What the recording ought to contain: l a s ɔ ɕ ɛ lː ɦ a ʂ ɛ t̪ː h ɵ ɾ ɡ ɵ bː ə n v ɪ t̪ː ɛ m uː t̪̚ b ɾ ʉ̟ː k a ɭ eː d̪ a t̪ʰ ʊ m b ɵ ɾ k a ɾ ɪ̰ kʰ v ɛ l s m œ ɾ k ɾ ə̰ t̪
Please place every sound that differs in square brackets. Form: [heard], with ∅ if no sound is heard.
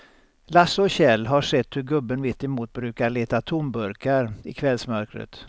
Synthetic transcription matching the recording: l a s ɔ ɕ ɛ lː ɦ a ʂ ɛ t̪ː h ɵ ɾ ɡ ɵ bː ə n v ɪ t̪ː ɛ m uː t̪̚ b ɾ ʉ̟ː k a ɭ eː [t̪] a t̪ʰ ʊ m b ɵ ɾ k a ɾ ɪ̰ kʰ v ɛ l s m œ ɾ k ɾ ə̰ t̪